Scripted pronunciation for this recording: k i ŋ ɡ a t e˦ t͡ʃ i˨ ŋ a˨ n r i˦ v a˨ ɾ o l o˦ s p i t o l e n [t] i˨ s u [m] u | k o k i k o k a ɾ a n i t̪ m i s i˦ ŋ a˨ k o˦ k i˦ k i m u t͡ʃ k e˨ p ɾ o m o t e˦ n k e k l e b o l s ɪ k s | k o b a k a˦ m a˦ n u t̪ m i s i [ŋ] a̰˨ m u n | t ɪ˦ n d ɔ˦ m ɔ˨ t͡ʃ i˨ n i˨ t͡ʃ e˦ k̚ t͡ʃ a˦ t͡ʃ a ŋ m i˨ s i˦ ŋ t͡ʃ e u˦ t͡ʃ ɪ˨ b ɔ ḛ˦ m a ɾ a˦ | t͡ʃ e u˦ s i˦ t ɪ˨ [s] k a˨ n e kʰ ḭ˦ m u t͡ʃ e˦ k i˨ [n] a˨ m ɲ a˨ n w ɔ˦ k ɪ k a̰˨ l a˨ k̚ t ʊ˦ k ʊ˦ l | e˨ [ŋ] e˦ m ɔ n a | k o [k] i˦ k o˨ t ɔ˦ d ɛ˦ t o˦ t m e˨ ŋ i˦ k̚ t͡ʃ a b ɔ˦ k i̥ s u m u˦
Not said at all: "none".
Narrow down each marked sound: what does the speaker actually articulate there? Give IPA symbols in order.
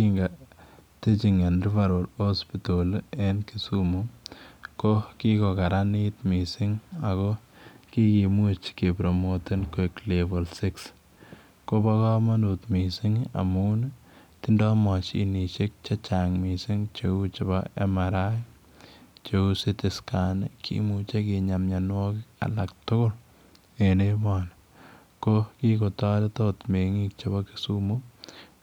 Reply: k, m, ŋ, s, ɲ, n, k

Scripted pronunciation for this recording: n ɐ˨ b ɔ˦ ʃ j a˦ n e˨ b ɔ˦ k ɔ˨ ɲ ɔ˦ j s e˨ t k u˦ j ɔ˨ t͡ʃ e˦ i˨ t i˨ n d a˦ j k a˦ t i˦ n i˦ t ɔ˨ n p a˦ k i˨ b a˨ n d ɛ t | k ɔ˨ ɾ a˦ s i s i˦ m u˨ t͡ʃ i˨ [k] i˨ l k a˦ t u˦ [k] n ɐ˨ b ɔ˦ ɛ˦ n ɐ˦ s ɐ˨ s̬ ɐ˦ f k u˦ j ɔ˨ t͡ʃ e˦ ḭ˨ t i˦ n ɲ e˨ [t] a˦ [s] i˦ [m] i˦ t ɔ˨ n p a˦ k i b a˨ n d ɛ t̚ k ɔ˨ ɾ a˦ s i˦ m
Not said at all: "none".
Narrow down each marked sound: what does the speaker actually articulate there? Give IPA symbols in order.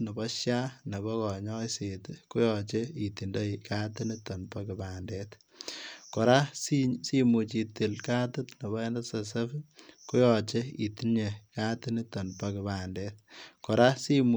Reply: t, t, k, t, n

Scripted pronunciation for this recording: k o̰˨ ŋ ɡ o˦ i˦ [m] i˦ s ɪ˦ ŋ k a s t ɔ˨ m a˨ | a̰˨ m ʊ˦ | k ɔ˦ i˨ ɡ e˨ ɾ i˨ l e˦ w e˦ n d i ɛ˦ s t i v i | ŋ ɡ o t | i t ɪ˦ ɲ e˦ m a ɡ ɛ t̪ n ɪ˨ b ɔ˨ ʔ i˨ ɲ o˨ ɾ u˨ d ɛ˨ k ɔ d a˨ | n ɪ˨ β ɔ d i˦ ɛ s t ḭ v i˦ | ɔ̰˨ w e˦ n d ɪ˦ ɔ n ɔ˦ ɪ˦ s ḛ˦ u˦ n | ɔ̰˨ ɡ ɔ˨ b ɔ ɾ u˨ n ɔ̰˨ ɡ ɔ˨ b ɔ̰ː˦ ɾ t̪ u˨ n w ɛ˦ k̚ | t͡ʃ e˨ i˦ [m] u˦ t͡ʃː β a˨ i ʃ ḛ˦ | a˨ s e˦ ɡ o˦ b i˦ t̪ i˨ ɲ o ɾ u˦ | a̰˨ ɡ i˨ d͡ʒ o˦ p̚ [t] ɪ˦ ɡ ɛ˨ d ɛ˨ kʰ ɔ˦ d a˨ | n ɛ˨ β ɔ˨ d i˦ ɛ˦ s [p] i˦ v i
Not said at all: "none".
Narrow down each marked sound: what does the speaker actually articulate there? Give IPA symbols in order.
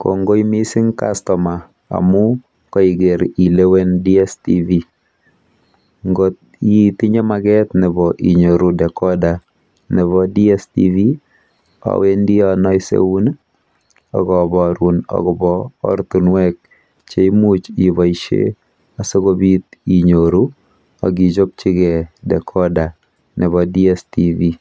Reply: m, m, t͡ʃ, t

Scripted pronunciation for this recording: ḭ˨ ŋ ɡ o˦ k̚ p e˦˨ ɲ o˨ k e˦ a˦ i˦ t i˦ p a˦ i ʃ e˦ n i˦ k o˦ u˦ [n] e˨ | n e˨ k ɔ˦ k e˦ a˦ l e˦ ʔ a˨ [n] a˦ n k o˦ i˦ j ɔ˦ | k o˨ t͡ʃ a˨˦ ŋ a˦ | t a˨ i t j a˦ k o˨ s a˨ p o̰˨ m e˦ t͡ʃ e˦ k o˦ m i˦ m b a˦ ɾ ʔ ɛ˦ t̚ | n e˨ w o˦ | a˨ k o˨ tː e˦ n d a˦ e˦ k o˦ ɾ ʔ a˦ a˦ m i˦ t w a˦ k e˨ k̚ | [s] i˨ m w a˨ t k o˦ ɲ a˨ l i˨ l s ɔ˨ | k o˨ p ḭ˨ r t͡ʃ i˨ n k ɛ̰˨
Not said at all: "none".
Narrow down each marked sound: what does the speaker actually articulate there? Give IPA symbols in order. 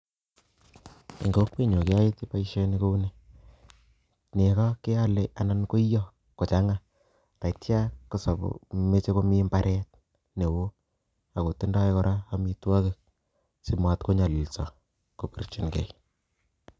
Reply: n, n, s

